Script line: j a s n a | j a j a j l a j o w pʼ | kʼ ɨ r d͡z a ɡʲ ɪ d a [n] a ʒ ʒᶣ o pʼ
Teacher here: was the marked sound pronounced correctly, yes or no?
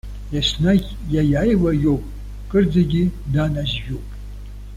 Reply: yes